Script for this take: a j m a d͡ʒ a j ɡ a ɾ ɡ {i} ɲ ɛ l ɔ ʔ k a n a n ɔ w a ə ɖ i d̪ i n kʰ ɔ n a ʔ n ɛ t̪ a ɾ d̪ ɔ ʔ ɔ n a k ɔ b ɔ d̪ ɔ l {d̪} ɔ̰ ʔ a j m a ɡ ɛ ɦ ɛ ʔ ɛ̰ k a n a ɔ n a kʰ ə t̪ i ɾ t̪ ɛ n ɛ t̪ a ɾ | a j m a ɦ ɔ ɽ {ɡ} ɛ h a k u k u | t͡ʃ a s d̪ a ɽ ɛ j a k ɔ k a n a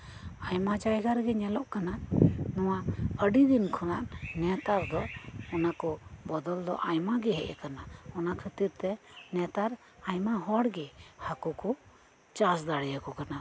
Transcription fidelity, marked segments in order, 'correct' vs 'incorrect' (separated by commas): incorrect, correct, correct